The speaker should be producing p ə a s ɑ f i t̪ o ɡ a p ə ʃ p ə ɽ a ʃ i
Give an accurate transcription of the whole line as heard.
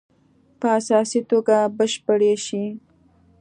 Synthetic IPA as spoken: p ə a s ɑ s i t̪ o ɡ a b ə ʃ p ə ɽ e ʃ i